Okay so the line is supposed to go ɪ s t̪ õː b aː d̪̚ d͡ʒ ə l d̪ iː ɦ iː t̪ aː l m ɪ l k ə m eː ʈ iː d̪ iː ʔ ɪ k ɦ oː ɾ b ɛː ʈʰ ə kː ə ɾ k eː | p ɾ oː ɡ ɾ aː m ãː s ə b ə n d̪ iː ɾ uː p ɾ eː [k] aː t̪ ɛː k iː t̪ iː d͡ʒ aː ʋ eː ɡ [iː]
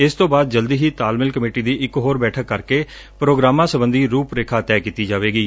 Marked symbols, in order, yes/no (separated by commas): no, yes